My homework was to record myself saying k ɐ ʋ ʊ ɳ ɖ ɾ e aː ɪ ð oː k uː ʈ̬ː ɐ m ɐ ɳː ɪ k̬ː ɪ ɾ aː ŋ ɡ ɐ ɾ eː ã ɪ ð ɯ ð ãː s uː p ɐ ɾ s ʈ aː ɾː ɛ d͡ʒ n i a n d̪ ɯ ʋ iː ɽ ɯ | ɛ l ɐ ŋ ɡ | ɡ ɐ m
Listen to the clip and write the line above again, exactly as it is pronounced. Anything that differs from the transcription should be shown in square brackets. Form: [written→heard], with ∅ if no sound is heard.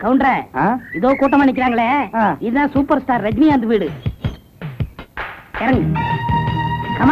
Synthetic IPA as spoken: k ɐ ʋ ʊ ɳ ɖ ɾ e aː ɪ ð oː k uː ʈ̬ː ɐ m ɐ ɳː ɪ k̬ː ɪ ɾ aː ŋ ɡ ɐ [ɾ→ɭ] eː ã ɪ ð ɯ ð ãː s uː p ɐ ɾ s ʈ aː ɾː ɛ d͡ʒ n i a n d̪ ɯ ʋ iː ɽ ɯ | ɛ [l→ɾ] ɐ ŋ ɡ | [ɡ→k] ɐ m

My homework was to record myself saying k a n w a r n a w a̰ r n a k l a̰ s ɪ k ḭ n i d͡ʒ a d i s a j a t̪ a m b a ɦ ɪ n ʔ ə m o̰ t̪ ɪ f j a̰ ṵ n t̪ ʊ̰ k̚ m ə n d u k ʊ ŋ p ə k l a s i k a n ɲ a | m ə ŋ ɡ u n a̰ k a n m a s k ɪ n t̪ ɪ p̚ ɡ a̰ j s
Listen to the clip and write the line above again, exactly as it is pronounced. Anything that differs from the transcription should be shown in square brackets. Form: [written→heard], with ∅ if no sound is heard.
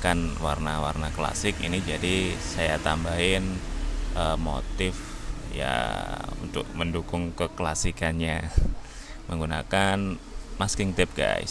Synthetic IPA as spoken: k a n w a r n a w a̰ r n a k l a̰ s ɪ k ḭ n i d͡ʒ a d i s a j a t̪ a m b a ɦ ɪ n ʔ ə m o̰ t̪ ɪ f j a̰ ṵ n t̪ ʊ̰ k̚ m ə n d u k ʊ ŋ [p→k] ə k l a s i k a n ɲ a | m ə ŋ ɡ u n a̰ k a n m a s k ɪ [n→ŋ] t̪ ɪ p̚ ɡ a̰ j s

